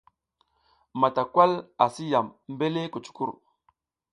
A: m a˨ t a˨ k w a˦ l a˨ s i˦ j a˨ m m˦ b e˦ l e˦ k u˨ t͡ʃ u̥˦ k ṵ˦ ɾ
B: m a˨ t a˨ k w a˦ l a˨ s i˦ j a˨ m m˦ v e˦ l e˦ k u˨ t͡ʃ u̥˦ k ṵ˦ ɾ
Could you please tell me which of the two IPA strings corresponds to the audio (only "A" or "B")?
A